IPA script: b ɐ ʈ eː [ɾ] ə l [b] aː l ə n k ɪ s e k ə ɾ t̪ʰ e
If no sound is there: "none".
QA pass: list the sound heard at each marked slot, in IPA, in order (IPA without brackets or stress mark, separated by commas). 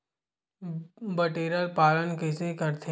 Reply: ɾ, p